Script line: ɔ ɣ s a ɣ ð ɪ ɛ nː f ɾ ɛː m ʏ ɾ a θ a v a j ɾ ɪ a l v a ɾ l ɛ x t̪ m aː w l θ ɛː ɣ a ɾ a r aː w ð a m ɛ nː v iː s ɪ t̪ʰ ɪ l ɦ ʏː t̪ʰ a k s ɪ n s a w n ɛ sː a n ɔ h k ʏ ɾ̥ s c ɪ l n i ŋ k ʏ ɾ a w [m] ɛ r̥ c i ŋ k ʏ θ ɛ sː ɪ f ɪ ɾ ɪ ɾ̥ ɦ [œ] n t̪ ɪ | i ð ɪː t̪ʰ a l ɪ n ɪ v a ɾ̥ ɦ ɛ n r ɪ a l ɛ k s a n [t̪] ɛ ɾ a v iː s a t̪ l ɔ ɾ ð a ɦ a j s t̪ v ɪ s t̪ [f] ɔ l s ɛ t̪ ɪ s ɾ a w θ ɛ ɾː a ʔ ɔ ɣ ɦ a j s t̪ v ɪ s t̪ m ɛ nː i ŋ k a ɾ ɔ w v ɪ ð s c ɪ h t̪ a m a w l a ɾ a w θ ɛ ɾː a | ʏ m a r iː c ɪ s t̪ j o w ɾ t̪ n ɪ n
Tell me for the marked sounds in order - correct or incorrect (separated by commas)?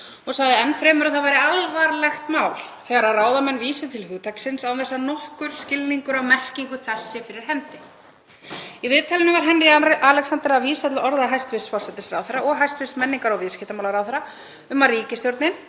correct, incorrect, correct, correct